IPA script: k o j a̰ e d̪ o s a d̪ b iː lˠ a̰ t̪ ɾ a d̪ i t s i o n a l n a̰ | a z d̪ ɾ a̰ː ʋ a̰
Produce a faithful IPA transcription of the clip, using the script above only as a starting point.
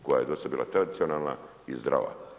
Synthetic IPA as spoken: k o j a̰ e d̪ o s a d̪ b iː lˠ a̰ t̪ ɾ a d̪ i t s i o n a l n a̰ | i z d̪ ɾ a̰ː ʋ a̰